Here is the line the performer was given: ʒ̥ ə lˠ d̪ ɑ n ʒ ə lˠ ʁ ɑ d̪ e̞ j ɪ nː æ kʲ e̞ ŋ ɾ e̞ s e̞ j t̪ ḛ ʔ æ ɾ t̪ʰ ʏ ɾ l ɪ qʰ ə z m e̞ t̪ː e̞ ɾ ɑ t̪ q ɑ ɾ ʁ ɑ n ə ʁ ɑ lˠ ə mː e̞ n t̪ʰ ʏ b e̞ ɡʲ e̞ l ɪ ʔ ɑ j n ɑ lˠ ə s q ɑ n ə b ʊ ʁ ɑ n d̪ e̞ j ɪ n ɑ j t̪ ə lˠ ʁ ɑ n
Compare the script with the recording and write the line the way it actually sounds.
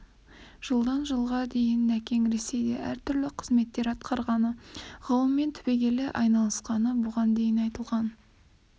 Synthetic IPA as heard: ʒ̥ ə lˠ d̪ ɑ n ʒ ə lˠ ʁ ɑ d̪ e̞ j ɪ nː æ kʲ e̞ ŋ ɾ e̞ s e̞ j d̪ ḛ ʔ æ ɾ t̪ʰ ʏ ɾ l ɪ qʰ ə z m e̞ t̪ː e̞ ɾ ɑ t̪ q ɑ ɾ ʁ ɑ n ə ʁ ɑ lˠ ə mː e̞ n t̪ʰ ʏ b e̞ ɡʲ e̞ l ɪ ʔ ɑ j n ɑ lˠ ə s q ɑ n ə b ʊ ʁ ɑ n d̪ e̞ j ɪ n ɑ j t̪ ə lˠ ʁ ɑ n